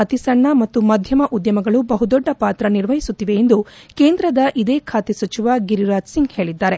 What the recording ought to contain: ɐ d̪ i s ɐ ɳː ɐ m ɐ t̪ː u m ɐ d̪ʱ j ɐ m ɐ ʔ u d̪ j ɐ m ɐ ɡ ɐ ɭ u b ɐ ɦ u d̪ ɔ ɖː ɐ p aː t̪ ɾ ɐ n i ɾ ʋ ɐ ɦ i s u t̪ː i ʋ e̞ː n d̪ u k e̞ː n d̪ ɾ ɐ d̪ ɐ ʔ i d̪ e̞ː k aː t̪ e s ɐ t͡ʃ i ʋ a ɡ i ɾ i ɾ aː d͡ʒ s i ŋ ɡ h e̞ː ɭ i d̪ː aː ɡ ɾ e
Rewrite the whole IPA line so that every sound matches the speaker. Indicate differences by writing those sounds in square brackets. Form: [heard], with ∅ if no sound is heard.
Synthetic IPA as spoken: ɐ [t̪] i s ɐ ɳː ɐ m ɐ t̪ː u m ɐ d̪ʱ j ɐ m ɐ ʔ u d̪ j ɐ m ɐ ɡ ɐ ɭ u b ɐ ɦ u d̪ ɔ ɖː ɐ p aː t̪ ɾ ɐ n i ɾ ʋ ɐ ɦ i s u t̪ː i ʋ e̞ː n d̪ u k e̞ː n d̪ ɾ ɐ d̪ ɐ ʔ i d̪ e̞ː [kʰ] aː t̪ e s ɐ t͡ʃ i ʋ a ɡ i ɾ i ɾ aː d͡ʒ s i ŋ ɡ h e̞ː ɭ i d̪ː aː [∅] ɾ e